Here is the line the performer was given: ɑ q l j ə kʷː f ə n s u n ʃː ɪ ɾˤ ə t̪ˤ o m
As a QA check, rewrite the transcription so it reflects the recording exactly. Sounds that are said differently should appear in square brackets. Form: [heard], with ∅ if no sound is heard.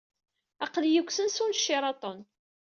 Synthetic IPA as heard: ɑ q l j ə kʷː [s] ə n s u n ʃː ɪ ɾˤ [ɑ] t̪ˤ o [n]